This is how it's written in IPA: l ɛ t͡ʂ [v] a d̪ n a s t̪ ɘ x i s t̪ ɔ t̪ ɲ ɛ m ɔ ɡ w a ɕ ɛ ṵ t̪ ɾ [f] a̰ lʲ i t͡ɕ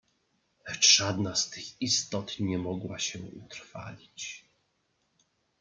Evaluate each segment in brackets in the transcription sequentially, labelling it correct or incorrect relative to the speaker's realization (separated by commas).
incorrect, correct